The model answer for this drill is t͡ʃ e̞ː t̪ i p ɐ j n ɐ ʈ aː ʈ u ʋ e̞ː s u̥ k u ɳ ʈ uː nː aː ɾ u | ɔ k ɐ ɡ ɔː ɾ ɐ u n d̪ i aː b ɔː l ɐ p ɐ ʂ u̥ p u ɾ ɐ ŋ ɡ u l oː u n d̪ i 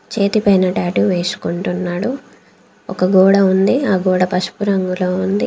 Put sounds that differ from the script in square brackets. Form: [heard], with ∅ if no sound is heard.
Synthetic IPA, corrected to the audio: t͡ʃ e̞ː t̪ i p ɐ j n ɐ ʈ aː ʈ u ʋ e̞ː s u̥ k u ɳ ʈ [u] nː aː [ɽ] u | ɔ k ɐ ɡ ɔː [ɽ] ɐ u n d̪ i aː [ɡ] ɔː [ɽ] ɐ p ɐ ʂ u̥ p u ɾ ɐ ŋ ɡ u l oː u n d̪ i

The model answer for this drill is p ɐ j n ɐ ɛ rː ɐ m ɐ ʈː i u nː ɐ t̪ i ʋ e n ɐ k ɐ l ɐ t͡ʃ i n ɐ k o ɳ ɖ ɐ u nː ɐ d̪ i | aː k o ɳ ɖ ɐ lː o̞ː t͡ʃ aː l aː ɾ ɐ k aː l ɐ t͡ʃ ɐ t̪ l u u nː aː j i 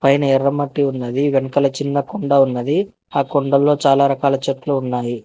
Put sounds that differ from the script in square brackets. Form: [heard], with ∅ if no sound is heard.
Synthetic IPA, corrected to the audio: p ɐ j n ɐ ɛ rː ɐ m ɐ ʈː i u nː ɐ [d̪] i ʋ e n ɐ k ɐ l ɐ t͡ʃ i [nː] ɐ k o ɳ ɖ ɐ u nː ɐ d̪ i | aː k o ɳ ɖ ɐ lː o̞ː t͡ʃ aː l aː ɾ ɐ k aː l ɐ t͡ʃ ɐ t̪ l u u nː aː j i

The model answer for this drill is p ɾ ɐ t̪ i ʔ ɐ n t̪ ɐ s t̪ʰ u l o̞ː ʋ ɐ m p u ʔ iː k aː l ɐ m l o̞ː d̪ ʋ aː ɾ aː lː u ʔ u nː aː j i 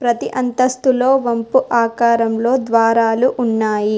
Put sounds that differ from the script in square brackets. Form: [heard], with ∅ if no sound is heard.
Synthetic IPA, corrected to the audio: p ɾ ɐ t̪ i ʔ ɐ n t̪ ɐ s [t̪] u l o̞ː ʋ ɐ m p u ʔ [aː] k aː [ɾ] ɐ m l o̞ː d̪ ʋ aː ɾ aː [l] u ʔ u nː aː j i

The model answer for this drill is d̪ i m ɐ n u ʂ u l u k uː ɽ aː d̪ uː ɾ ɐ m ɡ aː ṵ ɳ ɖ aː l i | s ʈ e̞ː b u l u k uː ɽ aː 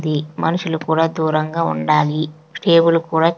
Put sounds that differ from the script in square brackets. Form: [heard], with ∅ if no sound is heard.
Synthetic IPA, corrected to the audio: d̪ i m ɐ n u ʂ u l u k uː ɽ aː d̪ uː ɾ ɐ [ŋ] ɡ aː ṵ ɳ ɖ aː l i | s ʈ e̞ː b u l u k uː ɽ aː

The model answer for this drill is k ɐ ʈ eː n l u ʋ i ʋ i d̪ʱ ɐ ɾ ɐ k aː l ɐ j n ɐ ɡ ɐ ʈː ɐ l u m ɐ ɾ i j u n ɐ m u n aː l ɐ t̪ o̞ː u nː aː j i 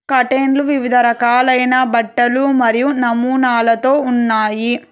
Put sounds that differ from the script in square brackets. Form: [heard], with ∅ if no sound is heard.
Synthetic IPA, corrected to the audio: k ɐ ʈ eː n l u ʋ i ʋ i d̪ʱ ɐ ɾ ɐ k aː l ɐ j n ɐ [b] ɐ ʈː ɐ l u m ɐ ɾ i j u n ɐ m [uː] n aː l ɐ t̪ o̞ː u nː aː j i

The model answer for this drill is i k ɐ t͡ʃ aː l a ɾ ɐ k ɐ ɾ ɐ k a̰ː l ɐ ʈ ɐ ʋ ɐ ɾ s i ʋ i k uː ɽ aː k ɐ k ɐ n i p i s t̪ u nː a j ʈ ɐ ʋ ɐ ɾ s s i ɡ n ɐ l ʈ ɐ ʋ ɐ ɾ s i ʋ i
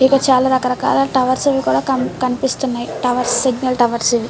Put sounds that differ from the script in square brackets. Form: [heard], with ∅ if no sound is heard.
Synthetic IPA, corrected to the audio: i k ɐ t͡ʃ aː l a ɾ ɐ k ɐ ɾ ɐ k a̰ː l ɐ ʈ ɐ ʋ ɐ ɾ s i ʋ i k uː ɽ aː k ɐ k ɐ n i p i s t̪ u nː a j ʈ ɐ ʋ ɐ ɾ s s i ɡ n ɐ l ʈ ɐ ʋ ɐ ɾ s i ʋ i

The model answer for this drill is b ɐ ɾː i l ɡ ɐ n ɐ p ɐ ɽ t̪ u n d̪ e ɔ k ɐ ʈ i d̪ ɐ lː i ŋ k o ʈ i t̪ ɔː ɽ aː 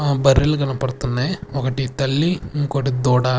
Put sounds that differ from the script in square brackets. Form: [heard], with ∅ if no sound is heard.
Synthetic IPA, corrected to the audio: b ɐ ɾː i l ɡ ɐ n ɐ p ɐ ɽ t̪ u n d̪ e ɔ k ɐ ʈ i [t̪] ɐ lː i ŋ k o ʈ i [d̪] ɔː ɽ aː

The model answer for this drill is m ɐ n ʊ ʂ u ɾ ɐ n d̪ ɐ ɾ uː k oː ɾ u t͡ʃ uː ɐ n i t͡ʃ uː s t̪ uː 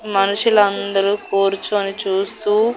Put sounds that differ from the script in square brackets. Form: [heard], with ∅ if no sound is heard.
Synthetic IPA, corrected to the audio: m ɐ n [u] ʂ u [l] ɐ n d̪ ɐ ɾ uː k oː ɾ u t͡ʃ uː ɐ n i t͡ʃ uː s t̪ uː

